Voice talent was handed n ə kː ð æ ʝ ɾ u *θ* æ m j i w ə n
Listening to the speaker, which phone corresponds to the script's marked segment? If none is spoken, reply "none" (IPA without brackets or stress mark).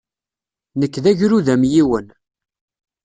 ð